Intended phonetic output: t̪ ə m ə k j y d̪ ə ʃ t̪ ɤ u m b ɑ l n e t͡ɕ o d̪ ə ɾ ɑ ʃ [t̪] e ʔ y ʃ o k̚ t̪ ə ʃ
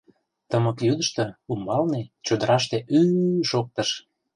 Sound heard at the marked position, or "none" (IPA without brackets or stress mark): t̪